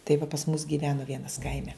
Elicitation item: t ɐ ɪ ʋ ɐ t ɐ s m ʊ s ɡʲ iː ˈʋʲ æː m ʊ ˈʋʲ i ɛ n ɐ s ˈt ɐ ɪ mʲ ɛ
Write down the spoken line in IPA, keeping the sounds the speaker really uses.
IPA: t ɐ ɪ ʋ ɐ p ɐ s m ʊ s ɡʲ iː ˈʋʲ æː n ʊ ˈʋʲ i ɛ n ɐ s ˈk ɐ ɪ mʲ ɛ